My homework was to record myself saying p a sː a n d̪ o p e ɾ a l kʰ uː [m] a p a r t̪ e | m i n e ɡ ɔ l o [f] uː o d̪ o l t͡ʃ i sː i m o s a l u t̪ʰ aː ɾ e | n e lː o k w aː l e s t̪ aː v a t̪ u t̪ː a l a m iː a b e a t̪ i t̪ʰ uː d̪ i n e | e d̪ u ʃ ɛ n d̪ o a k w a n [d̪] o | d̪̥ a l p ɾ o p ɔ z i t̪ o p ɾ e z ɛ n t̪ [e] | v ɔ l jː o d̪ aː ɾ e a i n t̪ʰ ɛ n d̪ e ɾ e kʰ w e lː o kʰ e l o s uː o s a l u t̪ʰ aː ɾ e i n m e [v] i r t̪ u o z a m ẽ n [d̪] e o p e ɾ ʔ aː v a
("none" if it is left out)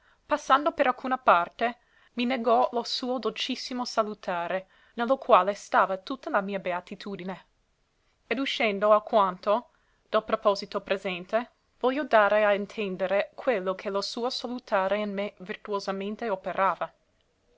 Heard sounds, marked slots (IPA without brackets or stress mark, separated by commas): n, s, t̪, e, v, t̪